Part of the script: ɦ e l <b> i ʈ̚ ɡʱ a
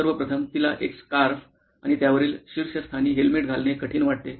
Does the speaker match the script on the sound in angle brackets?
no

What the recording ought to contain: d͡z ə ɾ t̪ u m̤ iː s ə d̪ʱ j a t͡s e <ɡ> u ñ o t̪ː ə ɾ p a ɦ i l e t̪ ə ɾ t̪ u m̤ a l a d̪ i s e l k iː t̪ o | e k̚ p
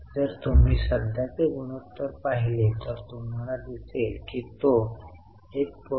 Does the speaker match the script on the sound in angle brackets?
yes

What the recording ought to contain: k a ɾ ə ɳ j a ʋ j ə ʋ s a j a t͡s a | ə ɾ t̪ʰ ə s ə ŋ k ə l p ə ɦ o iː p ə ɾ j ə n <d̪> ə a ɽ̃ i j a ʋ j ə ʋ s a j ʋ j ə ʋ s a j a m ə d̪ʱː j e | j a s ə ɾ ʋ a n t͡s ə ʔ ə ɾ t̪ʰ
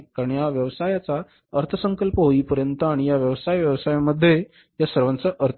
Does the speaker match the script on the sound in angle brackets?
no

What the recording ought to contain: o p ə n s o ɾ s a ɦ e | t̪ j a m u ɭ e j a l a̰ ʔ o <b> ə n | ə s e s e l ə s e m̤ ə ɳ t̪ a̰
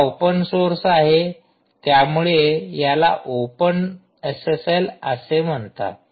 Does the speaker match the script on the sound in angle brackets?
no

